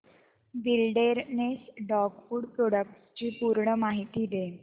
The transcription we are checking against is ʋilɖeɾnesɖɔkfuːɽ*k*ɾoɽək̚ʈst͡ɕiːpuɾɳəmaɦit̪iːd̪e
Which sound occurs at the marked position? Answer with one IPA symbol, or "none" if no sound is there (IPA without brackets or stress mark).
p